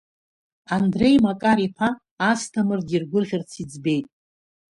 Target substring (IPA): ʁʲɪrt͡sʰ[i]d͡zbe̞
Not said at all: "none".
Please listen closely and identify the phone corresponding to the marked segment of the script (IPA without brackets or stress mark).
i